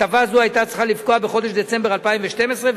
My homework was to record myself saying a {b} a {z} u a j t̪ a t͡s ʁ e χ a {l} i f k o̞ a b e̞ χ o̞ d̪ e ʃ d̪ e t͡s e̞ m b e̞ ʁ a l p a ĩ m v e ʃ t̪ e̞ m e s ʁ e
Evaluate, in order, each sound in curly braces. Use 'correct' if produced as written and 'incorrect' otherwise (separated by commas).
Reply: incorrect, correct, correct